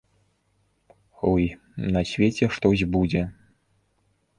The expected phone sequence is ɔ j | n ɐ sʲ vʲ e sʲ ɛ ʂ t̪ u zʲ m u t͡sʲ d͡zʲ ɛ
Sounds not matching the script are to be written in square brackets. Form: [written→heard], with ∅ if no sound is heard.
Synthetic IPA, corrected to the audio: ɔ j | n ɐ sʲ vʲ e [sʲ→t͡sʲ] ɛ ʂ t̪ [u→ɔ] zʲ [m→b] u [t͡sʲ→∅] d͡zʲ ɛ